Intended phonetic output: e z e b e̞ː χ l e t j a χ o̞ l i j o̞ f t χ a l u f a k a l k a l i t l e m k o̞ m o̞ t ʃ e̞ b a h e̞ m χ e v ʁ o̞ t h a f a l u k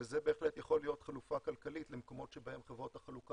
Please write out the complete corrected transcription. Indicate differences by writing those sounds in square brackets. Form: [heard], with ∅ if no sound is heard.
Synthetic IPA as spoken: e z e b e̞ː χ l e t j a χ o̞ l i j o̞ [∅] t χ a l u f a k a l k a l i t l e m k o̞ m o̞ t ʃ e̞ b a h e̞ m χ e v ʁ o̞ t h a [χ] a l u k